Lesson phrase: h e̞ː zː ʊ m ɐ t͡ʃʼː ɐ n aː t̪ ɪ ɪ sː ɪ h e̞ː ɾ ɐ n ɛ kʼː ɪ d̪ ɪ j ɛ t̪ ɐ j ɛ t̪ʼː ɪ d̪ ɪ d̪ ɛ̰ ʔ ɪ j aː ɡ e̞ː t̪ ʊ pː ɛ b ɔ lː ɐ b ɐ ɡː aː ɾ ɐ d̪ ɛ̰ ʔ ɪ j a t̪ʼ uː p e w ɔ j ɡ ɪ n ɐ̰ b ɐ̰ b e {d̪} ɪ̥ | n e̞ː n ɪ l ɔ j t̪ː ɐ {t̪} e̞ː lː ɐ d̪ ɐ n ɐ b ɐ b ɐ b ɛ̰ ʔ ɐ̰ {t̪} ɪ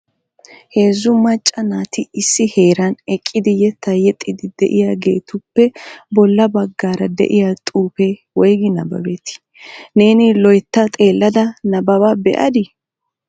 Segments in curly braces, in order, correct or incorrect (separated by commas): incorrect, incorrect, incorrect